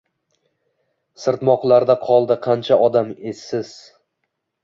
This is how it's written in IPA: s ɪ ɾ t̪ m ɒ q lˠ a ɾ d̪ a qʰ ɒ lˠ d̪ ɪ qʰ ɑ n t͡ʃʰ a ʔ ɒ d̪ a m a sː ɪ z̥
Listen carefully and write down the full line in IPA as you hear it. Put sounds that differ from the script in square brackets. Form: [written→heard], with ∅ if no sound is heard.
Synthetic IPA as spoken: s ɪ ɾ t̪ m ɒ q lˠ a ɾ d̪ a qʰ ɒ lˠ d̪ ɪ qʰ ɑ n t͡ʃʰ a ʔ ɒ d̪ a m [a→e] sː ɪ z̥